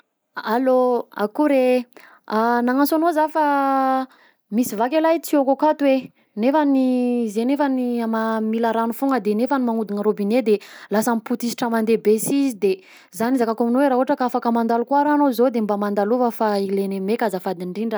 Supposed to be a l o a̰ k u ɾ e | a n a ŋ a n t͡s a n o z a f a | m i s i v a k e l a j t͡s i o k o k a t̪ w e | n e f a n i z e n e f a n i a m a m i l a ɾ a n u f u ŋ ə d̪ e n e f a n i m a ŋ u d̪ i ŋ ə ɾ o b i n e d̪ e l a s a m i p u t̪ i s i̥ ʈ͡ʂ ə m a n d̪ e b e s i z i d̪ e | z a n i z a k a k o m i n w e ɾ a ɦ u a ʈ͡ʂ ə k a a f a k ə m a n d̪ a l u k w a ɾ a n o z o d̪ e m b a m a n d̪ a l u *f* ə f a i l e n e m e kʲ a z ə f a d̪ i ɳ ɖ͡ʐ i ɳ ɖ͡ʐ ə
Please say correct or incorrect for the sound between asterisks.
incorrect: v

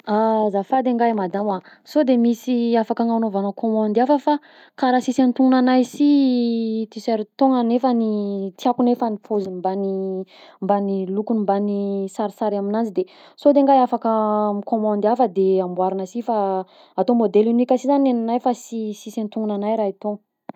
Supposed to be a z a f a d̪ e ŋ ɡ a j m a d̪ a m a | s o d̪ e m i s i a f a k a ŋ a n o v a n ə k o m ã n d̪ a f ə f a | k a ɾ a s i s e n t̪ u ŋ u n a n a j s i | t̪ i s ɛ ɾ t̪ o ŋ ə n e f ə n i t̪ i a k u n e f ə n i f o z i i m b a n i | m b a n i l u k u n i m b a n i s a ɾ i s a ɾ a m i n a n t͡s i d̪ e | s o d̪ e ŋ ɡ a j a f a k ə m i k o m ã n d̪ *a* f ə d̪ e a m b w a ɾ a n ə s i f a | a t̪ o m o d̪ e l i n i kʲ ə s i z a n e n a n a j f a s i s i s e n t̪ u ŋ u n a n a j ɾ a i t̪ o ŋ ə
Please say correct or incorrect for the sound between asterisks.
correct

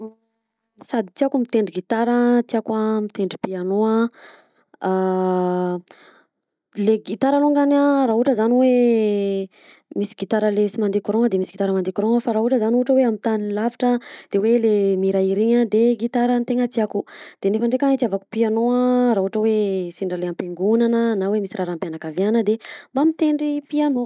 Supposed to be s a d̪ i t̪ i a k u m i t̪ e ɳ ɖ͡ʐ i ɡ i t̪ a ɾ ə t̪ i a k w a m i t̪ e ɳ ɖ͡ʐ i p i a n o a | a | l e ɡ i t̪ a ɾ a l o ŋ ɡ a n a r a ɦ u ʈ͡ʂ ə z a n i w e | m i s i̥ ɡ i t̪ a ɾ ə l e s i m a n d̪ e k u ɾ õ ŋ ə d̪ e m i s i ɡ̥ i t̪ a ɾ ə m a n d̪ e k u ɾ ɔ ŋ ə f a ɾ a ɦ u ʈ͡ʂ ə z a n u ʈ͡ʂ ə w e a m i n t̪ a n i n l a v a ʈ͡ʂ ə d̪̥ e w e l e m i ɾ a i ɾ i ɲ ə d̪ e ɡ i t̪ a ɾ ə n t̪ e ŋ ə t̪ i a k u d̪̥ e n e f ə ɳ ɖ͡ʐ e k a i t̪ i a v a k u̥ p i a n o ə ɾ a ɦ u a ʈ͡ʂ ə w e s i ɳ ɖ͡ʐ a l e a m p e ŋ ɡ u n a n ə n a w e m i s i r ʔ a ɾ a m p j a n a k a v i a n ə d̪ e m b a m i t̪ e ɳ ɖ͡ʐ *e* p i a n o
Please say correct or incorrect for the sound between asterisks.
incorrect: i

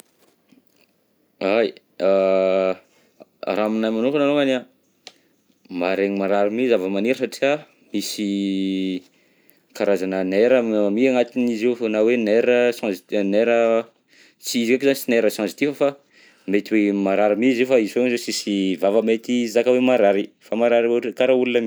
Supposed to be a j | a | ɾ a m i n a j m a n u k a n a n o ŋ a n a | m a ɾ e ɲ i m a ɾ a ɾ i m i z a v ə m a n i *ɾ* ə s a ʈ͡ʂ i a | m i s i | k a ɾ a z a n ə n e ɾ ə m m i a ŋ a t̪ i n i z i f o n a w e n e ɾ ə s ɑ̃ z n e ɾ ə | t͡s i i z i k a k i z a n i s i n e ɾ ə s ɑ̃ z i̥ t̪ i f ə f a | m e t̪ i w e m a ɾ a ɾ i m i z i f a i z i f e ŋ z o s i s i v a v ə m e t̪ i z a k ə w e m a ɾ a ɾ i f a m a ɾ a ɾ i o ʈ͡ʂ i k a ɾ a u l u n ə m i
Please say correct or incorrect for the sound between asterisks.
correct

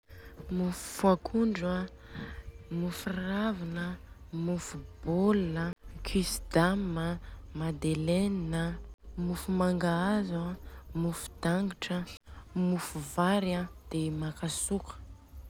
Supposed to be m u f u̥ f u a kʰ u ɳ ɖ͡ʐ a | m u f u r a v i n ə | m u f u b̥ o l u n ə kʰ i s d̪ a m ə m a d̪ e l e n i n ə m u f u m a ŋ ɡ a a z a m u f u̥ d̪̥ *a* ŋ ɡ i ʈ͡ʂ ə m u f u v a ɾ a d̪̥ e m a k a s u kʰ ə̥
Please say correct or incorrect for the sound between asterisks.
correct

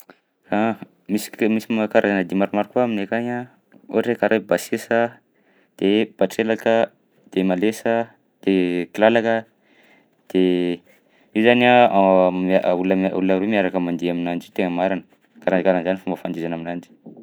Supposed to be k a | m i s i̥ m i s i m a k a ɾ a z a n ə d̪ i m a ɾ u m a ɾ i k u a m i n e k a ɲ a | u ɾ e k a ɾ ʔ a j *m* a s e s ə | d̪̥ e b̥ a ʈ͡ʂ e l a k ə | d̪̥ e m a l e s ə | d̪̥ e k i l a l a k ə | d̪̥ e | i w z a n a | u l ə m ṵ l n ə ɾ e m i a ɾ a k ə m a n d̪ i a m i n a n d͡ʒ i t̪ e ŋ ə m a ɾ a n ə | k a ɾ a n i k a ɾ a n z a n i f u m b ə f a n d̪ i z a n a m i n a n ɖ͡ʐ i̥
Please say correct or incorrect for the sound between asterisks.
incorrect: b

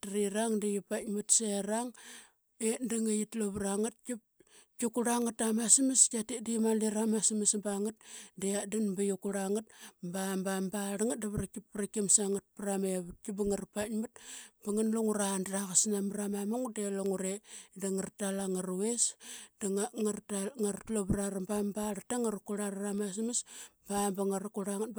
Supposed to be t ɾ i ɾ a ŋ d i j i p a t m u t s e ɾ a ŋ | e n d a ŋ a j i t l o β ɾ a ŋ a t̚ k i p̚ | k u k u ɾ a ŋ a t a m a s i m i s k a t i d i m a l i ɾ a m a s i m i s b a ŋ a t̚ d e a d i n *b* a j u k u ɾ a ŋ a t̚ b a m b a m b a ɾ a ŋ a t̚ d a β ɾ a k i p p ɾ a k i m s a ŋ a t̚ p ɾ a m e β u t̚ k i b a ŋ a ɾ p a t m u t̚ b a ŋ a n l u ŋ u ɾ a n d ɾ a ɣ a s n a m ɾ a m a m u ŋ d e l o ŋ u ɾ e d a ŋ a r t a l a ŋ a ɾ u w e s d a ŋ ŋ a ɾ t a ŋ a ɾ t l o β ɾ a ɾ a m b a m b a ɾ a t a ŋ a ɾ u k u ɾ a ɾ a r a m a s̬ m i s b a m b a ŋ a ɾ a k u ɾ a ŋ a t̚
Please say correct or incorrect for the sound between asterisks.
correct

